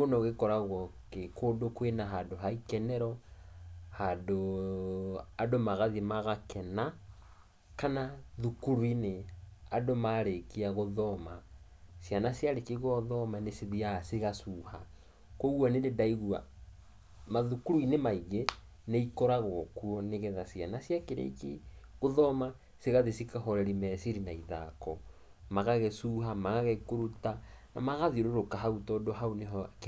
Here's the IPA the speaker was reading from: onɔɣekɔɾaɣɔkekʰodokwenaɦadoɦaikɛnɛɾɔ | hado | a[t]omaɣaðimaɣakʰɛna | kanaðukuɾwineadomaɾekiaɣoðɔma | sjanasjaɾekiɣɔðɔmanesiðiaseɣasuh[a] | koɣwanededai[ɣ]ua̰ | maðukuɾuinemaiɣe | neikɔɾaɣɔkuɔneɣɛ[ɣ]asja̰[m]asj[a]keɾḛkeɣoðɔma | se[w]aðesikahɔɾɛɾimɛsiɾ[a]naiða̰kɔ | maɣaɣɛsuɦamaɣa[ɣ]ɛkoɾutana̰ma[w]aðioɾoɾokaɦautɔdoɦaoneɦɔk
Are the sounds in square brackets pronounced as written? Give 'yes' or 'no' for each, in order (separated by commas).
no, yes, yes, no, no, yes, no, no, yes, no